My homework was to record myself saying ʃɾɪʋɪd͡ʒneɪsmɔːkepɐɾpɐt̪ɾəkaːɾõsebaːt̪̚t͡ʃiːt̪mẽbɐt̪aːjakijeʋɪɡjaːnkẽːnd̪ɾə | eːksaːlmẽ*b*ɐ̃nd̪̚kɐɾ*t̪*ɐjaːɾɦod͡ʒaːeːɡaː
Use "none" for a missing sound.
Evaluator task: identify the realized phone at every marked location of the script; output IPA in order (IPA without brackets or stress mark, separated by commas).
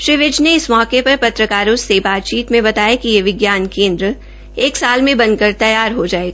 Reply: b, t̪